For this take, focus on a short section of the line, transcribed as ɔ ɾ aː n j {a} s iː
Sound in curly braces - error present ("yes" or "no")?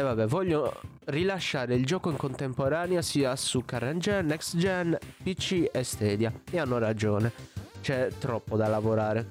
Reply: no